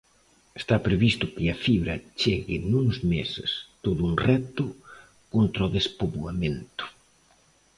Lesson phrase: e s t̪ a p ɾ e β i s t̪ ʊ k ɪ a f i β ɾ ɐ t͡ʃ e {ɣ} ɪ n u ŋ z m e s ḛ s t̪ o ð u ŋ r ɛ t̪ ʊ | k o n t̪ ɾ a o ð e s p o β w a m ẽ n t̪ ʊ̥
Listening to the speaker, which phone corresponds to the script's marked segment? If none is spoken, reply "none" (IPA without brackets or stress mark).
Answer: ɣ